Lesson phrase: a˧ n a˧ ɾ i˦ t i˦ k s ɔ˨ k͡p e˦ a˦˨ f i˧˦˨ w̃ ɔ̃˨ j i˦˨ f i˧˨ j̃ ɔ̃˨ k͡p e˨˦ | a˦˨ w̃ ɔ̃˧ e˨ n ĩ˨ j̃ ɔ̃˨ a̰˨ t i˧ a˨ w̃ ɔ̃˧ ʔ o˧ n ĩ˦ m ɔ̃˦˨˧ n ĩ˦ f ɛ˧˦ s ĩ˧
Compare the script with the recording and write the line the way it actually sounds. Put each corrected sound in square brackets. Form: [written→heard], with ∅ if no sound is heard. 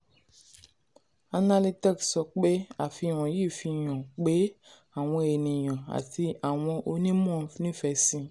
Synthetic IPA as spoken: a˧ n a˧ [ɾ→l] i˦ t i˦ k s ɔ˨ k͡p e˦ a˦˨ f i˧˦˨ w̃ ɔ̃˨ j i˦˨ f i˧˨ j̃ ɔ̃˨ k͡p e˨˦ | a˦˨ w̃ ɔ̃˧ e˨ n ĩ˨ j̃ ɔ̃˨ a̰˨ t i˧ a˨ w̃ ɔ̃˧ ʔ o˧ n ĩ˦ m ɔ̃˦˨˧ n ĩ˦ f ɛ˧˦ s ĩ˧

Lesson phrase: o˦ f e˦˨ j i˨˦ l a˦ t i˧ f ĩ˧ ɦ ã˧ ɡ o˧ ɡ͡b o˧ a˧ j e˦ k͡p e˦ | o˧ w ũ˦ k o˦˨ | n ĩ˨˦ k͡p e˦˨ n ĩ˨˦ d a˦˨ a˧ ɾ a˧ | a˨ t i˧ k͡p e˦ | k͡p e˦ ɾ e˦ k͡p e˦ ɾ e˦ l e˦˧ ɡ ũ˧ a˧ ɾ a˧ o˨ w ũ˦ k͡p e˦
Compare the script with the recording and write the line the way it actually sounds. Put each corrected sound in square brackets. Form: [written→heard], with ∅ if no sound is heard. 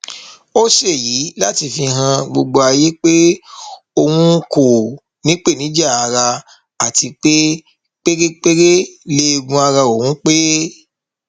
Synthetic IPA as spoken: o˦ [f→ʃ] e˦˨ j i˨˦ l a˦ t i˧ f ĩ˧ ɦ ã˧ [ɡ→ɡ͡b] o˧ ɡ͡b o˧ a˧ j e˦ k͡p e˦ | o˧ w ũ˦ k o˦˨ | n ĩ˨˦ k͡p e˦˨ n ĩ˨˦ [d→d͡ʒ] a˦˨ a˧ ɾ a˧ | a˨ t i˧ k͡p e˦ | k͡p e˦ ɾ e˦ k͡p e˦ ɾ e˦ l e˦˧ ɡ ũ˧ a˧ ɾ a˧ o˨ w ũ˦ k͡p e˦

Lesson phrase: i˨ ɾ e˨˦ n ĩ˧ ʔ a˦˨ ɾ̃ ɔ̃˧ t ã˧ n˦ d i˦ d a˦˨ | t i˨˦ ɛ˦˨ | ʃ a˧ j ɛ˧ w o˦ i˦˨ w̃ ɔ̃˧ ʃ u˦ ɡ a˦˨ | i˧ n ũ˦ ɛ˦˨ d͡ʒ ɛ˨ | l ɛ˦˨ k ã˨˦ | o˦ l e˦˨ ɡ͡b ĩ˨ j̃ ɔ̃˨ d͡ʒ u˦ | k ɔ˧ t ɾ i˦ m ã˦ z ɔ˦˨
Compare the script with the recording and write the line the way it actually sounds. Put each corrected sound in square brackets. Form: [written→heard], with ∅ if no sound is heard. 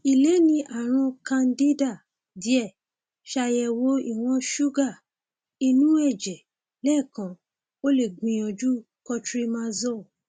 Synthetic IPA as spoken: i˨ [ɾ→l] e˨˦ n ĩ˧ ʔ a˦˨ ɾ̃ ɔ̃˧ [t→k] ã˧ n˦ d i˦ d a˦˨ | [t→d] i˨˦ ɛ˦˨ | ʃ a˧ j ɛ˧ w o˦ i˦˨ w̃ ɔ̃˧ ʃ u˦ ɡ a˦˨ | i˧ n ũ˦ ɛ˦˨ d͡ʒ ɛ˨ | l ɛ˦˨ k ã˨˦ | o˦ l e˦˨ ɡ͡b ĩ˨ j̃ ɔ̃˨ d͡ʒ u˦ | k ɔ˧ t ɾ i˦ m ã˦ z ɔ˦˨

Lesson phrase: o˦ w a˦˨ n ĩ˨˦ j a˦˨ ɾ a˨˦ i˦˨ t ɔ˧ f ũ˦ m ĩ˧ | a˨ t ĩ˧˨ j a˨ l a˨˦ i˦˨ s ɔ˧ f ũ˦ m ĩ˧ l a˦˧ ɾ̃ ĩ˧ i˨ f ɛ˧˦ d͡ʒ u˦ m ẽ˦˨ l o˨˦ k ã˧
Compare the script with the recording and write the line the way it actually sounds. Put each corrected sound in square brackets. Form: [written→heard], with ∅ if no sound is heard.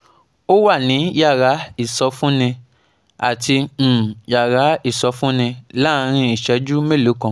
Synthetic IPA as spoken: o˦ w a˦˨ n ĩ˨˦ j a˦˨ ɾ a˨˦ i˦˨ [t→s] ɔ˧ f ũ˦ [m→n] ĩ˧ | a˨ t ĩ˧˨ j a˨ [l→ɾ] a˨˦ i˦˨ s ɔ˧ f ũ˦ [m→n] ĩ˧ l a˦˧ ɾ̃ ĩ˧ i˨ [f→ʃ] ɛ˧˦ d͡ʒ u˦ m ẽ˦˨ l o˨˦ k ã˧

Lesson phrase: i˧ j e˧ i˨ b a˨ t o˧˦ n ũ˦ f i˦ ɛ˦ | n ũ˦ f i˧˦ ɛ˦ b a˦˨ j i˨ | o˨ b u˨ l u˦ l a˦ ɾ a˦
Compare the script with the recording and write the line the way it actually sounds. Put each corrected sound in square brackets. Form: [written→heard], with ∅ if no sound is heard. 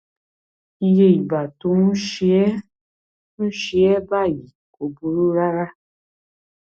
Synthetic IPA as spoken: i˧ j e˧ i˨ b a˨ t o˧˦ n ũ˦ [f→ʃ] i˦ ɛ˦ | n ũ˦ [f→ʃ] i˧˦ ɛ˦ b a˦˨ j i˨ | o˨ b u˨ [l→ɾ] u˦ [l→ɾ] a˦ ɾ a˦

